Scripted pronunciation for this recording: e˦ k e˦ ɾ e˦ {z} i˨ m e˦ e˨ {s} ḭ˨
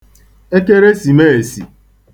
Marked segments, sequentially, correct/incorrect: incorrect: s, correct

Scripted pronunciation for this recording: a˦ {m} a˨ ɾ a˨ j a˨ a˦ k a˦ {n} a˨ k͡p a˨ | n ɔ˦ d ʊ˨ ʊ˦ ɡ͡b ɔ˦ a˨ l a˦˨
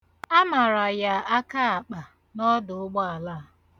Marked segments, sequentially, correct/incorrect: correct, incorrect: none

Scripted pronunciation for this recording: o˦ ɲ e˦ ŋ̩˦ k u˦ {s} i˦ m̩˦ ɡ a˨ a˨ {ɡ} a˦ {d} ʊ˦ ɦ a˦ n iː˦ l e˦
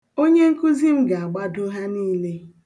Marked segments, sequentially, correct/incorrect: incorrect: z, incorrect: ɡ͡b, correct

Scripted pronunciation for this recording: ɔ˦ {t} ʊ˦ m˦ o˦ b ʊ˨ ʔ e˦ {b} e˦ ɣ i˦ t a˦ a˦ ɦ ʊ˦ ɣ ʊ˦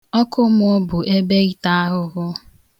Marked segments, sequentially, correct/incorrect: incorrect: k, correct

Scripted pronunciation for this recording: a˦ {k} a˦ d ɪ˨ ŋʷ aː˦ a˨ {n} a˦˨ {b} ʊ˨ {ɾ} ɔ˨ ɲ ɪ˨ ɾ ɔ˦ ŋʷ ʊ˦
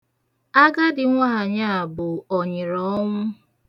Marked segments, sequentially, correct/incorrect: incorrect: ɡ, incorrect: ɲ, correct, incorrect: none

